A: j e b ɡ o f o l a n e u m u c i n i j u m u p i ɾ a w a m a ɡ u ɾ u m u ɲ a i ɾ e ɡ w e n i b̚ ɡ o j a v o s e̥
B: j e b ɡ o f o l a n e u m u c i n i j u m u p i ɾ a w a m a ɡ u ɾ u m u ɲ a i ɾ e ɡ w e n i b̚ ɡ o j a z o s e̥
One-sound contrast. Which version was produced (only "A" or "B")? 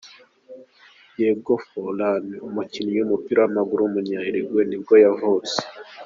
A